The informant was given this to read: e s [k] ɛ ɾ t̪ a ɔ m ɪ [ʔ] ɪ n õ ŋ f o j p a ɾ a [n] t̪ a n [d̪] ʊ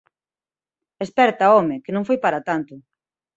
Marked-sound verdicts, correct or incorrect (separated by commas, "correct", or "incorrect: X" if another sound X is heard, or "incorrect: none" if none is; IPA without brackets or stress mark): incorrect: p, incorrect: k, incorrect: none, incorrect: t̪